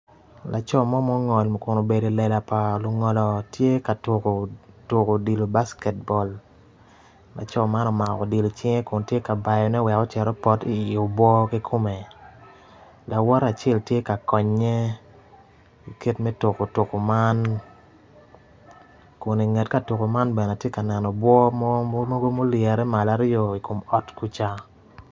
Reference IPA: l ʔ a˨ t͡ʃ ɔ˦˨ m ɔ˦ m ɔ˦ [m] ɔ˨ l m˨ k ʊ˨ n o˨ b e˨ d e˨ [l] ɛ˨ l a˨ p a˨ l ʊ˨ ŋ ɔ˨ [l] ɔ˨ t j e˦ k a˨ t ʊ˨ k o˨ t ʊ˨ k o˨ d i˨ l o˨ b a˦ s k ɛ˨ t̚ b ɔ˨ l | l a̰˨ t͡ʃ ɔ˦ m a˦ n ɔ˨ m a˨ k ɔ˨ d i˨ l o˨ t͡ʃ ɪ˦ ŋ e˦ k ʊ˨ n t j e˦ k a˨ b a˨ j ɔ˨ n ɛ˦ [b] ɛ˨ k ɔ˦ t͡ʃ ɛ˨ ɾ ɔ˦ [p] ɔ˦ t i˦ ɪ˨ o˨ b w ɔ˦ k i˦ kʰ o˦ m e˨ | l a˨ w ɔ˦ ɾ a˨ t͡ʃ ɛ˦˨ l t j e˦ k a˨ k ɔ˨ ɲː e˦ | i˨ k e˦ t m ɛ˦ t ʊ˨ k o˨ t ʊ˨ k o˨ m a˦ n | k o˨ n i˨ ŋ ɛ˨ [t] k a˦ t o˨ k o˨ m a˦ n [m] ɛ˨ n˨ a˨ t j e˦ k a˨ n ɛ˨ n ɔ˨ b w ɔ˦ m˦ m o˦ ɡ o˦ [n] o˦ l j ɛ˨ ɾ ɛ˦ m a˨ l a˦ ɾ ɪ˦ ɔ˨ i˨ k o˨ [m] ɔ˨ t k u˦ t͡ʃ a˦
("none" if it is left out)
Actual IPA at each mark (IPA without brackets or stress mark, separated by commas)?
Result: ŋ, l, l, w, p, t, b, m, m